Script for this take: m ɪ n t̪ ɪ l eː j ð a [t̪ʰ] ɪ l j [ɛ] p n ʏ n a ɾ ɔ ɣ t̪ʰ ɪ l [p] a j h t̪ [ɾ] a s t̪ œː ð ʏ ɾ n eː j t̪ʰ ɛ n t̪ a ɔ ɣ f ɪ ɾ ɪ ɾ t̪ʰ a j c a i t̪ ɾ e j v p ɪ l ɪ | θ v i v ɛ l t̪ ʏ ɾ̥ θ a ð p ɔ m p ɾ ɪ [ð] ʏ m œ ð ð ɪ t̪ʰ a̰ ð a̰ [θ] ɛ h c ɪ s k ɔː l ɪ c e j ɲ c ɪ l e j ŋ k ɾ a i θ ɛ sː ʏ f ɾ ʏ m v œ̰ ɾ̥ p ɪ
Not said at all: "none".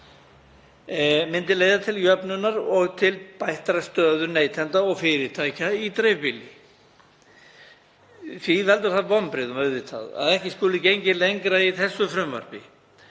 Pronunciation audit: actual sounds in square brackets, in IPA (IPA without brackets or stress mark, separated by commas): t̪ʰ, œ, p, ɾ, ð, ð